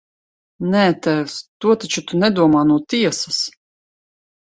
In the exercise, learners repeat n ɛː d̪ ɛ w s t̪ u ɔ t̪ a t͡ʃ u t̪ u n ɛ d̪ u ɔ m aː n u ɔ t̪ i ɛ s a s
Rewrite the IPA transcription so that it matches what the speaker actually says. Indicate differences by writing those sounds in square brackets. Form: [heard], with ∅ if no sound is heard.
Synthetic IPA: n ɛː [t̪] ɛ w s t̪ u ɔ t̪ a t͡ʃ u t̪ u n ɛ d̪ u ɔ m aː n u ɔ t̪ i ɛ s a s